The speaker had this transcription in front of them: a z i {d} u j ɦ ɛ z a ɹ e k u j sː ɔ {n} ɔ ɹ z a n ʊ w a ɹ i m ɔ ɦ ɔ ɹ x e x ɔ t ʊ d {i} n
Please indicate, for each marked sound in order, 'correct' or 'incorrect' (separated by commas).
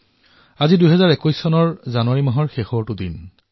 correct, correct, correct